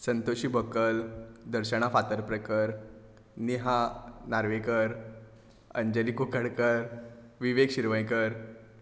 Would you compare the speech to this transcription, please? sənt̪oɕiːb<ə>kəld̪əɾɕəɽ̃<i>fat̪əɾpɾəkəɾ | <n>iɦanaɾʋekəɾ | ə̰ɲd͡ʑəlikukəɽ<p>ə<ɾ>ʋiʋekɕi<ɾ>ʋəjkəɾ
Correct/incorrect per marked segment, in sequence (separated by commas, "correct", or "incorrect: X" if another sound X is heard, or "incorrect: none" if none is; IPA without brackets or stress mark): correct, incorrect: a, correct, incorrect: k, correct, correct